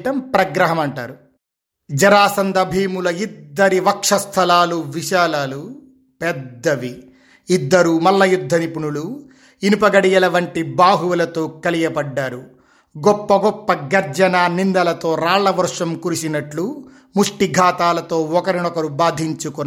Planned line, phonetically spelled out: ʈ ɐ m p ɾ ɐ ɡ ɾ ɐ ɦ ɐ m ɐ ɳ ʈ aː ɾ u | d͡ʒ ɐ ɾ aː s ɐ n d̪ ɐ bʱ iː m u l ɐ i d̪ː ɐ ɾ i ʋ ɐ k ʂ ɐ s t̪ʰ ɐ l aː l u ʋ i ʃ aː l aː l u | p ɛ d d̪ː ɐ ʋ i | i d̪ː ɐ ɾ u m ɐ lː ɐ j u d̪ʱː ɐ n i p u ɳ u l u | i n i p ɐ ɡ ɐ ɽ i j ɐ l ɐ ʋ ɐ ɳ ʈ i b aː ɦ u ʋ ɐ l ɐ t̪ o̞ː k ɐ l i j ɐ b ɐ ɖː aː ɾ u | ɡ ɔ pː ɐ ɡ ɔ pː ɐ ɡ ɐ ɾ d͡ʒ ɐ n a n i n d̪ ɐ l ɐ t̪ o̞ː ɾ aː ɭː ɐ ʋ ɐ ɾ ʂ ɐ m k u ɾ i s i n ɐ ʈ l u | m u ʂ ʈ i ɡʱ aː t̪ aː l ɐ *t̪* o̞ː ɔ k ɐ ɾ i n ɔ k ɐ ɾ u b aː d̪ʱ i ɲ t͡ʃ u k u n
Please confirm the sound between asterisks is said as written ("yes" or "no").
yes